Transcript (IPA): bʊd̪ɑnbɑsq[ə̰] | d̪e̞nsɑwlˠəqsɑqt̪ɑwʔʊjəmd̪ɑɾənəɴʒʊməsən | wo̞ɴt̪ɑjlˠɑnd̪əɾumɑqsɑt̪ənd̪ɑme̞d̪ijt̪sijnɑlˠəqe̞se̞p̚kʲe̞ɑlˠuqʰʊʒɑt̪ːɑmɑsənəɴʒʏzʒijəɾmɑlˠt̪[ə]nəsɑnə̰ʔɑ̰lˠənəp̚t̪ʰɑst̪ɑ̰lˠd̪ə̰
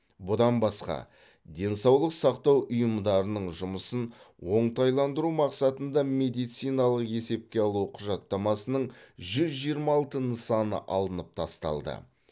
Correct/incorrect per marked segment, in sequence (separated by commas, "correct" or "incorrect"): incorrect, correct